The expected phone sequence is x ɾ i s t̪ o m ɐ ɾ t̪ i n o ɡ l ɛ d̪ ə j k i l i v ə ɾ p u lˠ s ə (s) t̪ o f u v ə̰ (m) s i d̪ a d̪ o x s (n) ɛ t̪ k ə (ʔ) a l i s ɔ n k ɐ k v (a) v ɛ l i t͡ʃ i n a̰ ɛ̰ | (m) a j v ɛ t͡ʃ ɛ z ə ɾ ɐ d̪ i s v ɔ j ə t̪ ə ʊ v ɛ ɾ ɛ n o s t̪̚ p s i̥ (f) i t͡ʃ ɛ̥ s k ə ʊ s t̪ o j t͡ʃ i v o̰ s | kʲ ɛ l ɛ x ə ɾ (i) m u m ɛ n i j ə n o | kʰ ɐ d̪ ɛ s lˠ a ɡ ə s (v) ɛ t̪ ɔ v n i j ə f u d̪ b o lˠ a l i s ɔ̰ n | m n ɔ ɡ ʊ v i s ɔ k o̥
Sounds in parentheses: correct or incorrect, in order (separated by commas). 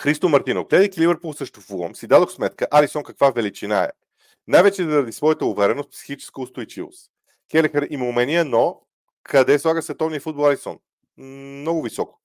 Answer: incorrect, correct, incorrect, correct, correct, incorrect, incorrect, correct, correct